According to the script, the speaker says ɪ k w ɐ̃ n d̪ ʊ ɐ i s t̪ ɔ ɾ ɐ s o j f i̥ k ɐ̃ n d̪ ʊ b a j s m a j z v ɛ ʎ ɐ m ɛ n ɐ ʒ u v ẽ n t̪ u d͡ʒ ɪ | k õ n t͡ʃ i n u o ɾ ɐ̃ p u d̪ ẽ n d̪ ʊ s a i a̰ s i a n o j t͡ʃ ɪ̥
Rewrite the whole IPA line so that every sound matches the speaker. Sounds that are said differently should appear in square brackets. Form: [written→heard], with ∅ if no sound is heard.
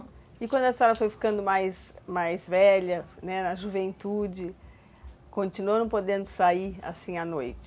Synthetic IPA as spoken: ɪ k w ɐ̃ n d̪ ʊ ɐ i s t̪ ɔ ɾ ɐ [s→f] o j f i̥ k ɐ̃ n d̪ ʊ [b→m] a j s m a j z v ɛ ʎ ɐ [m→n] ɛ n ɐ ʒ u v ẽ n t̪ u d͡ʒ ɪ | k õ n t͡ʃ i n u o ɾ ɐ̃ p [u→o] d̪ ẽ n d̪ ʊ s a i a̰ s [i→ĩ] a n o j t͡ʃ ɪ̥